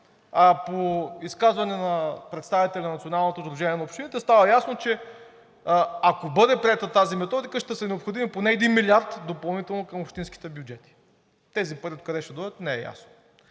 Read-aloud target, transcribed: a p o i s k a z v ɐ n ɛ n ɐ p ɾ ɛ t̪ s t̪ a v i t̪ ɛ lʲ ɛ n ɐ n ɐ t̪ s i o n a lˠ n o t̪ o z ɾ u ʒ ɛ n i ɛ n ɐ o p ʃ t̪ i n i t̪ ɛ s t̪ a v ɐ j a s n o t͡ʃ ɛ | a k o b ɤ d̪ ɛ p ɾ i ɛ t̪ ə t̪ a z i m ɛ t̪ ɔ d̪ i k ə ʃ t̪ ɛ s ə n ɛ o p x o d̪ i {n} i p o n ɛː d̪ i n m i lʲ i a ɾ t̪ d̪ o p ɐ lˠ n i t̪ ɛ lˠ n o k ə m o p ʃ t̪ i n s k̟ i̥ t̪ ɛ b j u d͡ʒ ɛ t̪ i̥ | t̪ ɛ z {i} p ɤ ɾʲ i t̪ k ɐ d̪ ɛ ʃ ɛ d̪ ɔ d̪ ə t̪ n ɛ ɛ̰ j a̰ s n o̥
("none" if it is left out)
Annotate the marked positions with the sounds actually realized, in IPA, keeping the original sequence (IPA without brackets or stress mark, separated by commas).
m, i